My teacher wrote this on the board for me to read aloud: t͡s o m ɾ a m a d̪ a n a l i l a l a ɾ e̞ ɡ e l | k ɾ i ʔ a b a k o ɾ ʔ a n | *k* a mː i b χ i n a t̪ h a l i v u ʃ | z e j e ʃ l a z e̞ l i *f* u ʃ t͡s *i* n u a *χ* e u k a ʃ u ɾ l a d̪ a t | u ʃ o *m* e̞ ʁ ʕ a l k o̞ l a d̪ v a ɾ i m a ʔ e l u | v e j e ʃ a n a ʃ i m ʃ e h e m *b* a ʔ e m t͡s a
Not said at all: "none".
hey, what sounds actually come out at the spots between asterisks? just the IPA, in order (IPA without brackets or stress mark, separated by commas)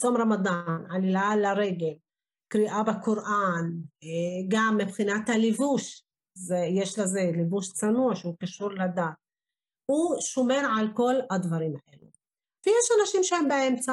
ɡ, v, a, ʃ, m, b